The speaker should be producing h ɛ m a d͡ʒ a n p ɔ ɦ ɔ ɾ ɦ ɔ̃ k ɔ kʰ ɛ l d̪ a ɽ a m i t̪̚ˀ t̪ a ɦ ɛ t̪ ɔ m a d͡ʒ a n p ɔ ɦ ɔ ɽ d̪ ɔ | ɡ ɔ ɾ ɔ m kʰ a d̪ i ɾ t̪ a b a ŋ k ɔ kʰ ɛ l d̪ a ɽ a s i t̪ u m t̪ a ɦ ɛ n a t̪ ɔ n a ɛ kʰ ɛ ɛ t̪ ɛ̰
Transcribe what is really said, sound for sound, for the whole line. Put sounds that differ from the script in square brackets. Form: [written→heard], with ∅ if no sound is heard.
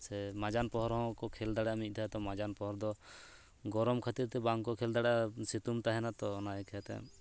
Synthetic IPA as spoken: [h→s] ɛ m a d͡ʒ a n p ɔ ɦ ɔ ɾ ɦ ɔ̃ k ɔ kʰ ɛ l d̪ a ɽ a m i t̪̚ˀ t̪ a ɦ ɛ t̪ ɔ m a d͡ʒ a n p ɔ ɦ ɔ [ɽ→ɾ] d̪ ɔ | ɡ ɔ ɾ ɔ m kʰ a [d̪→t̪] i ɾ t̪ [a→ɛ] b a ŋ k ɔ kʰ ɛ l d̪ a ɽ a s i t̪ u m t̪ a ɦ ɛ n a t̪ ɔ n a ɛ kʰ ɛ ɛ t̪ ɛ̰

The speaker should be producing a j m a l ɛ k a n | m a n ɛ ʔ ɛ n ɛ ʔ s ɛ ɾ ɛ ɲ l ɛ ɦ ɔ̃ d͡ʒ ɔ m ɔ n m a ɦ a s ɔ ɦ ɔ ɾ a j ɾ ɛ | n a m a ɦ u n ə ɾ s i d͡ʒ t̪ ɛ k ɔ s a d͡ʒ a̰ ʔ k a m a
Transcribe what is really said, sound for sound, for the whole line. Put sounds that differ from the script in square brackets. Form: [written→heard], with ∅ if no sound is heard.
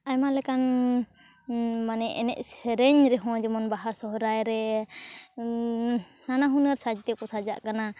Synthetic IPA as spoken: a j m a l ɛ k a n | m a n ɛ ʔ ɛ n ɛ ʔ s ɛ ɾ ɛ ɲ [l→ɾ] ɛ ɦ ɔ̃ d͡ʒ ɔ m ɔ n [m→b] a ɦ a s ɔ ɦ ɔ ɾ a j ɾ ɛ | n a [m→n] a ɦ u n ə ɾ s [i→a] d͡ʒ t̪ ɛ k ɔ s a d͡ʒ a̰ ʔ k a [m→n] a

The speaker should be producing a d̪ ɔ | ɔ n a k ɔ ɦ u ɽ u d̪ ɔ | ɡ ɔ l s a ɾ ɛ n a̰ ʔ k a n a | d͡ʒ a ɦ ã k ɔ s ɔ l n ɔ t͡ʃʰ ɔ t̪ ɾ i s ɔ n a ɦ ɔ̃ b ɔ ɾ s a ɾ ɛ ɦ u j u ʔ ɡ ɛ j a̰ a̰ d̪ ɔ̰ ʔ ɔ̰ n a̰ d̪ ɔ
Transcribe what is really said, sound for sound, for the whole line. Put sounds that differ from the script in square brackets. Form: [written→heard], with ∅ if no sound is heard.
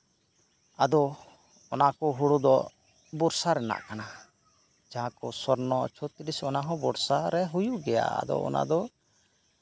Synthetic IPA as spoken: a d̪ ɔ | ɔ n a k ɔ ɦ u ɽ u d̪ ɔ | [ɡ→b] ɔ [l→ɾ] s a ɾ ɛ n a̰ ʔ k a n a | d͡ʒ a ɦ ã k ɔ s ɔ [l→ɾ] n ɔ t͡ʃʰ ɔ t̪ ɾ i s ɔ n a ɦ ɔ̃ b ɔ ɾ s a ɾ ɛ ɦ u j u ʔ ɡ ɛ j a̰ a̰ d̪ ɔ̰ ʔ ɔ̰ n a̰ d̪ ɔ

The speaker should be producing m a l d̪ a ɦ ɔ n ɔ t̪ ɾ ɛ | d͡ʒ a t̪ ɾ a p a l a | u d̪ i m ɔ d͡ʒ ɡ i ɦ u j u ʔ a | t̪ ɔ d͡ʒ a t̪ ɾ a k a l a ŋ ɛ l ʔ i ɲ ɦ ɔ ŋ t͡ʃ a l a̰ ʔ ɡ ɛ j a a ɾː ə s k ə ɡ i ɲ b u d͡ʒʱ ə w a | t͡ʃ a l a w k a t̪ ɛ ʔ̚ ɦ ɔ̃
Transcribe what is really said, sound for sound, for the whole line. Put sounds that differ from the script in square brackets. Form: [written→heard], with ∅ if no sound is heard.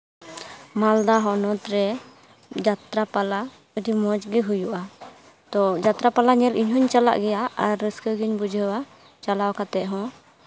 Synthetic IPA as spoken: m a l d̪ a ɦ ɔ n ɔ t̪ ɾ ɛ | d͡ʒ a t̪ ɾ a p a l a | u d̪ i m ɔ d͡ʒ ɡ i ɦ u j u ʔ a | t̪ ɔ d͡ʒ a t̪ ɾ a [k→p] a l a [ŋ→ɲ] ɛ l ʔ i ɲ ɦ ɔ [ŋ→ɲ] t͡ʃ a l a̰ ʔ ɡ ɛ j a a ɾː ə s k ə ɡ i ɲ b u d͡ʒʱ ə w a | t͡ʃ a l a w k a t̪ ɛ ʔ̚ ɦ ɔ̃

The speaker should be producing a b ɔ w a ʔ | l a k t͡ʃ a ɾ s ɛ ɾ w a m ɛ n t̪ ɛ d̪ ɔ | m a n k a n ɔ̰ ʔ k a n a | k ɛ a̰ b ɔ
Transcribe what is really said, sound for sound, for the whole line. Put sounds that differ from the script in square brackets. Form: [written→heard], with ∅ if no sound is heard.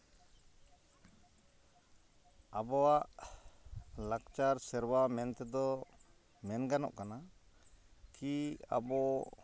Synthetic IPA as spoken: a b ɔ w a ʔ | l a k t͡ʃ a ɾ s ɛ ɾ w a m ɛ n t̪ ɛ d̪ ɔ | m [a→ɛ] n [k→ɡ] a n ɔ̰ ʔ k a n a | k [ɛ→i] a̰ b ɔ

